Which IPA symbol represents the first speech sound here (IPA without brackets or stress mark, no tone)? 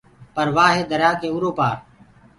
p